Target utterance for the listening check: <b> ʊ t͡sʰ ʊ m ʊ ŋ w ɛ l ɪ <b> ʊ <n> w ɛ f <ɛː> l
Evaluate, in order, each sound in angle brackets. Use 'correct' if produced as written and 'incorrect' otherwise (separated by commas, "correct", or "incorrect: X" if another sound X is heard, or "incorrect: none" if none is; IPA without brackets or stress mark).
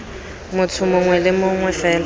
incorrect: m, incorrect: m, incorrect: ŋ, correct